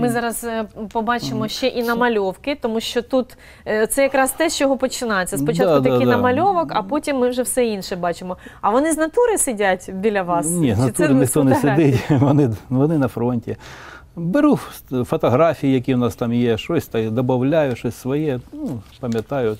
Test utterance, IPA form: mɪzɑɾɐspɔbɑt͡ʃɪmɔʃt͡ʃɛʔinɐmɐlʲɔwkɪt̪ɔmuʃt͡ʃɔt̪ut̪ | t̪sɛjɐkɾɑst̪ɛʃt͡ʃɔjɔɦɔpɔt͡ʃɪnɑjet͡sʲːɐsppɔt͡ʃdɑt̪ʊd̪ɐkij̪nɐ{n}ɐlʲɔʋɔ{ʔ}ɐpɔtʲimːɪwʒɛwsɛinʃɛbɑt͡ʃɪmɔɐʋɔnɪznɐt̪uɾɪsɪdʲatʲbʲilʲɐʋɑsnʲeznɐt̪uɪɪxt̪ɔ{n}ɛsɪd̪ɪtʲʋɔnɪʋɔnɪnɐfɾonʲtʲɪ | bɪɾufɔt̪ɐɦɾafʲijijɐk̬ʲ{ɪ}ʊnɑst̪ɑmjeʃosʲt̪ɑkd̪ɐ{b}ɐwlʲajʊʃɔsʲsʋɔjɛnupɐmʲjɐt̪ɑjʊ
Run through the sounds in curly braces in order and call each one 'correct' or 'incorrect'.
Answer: incorrect, incorrect, correct, incorrect, correct

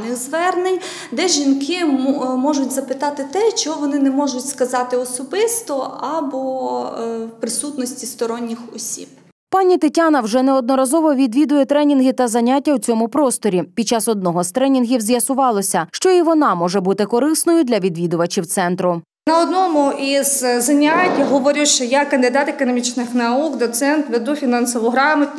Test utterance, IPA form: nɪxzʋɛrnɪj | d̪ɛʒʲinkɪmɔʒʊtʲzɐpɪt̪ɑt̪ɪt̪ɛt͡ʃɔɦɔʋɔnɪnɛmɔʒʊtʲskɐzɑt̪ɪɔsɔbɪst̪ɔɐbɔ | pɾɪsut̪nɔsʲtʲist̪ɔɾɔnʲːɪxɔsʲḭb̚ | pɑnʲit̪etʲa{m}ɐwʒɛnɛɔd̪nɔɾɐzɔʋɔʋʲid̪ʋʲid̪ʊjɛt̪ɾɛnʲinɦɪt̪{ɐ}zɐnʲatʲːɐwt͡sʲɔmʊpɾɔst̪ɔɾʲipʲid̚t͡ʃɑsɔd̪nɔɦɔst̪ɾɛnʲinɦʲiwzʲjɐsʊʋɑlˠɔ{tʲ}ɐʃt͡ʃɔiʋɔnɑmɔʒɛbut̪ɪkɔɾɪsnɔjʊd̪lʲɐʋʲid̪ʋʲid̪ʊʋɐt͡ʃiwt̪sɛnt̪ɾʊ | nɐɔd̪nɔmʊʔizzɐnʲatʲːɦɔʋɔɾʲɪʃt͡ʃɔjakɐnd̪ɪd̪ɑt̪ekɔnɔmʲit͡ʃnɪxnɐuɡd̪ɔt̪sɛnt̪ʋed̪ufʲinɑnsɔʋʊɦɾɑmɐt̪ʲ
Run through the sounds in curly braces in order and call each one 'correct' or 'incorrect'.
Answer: incorrect, correct, incorrect

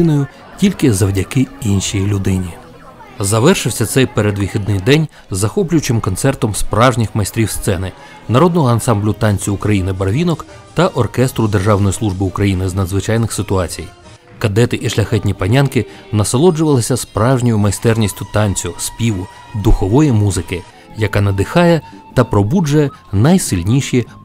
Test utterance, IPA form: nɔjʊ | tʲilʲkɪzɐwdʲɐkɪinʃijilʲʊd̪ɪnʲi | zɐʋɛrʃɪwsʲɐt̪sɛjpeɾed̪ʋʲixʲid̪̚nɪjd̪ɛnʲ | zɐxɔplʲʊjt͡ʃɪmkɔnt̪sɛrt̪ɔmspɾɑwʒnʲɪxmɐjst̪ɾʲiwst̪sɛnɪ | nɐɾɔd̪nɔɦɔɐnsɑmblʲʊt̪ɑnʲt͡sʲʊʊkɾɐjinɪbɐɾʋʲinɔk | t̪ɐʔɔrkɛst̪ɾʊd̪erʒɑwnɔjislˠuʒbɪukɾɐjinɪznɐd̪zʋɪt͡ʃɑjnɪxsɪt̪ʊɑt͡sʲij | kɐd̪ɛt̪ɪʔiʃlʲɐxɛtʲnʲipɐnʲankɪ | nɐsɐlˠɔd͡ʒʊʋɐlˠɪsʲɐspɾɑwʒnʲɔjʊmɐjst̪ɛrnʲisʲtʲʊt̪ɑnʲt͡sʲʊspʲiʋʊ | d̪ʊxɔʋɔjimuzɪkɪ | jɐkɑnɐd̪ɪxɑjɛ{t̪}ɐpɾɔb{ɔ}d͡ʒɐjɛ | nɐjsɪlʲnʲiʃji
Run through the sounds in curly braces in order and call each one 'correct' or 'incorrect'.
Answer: correct, incorrect

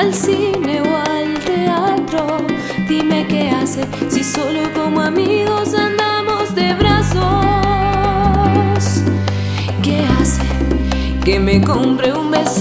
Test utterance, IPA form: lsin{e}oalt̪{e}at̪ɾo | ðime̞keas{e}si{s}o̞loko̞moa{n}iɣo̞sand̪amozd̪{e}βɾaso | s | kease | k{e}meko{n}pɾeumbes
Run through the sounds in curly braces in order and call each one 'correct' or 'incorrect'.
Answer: correct, correct, correct, correct, incorrect, correct, correct, incorrect

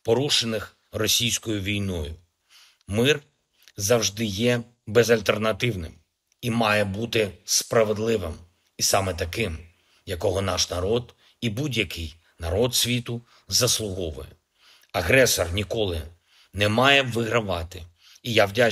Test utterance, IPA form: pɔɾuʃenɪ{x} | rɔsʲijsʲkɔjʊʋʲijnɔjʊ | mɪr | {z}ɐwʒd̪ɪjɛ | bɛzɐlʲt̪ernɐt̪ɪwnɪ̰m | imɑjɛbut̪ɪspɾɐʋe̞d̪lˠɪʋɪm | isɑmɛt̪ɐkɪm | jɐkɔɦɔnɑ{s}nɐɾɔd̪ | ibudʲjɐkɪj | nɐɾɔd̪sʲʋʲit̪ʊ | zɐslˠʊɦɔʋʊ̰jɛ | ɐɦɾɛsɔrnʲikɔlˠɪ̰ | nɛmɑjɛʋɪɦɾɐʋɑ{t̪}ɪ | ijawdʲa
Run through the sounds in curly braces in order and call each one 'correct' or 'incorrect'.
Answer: correct, correct, incorrect, correct

